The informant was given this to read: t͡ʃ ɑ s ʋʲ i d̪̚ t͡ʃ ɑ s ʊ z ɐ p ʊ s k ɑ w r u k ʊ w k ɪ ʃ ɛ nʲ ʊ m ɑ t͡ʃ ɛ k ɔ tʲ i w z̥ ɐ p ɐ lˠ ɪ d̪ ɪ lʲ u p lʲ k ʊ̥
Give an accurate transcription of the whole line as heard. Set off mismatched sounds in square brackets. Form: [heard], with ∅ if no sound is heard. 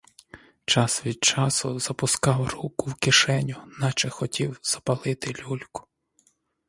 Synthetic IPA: t͡ʃ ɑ s ʋʲ i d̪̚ t͡ʃ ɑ s ʊ z ɐ p ʊ s k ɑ w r u k ʊ w k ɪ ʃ ɛ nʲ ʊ [n] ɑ t͡ʃ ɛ [x] ɔ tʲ i w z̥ ɐ p ɐ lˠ ɪ [t̪] ɪ lʲ u [∅] lʲ k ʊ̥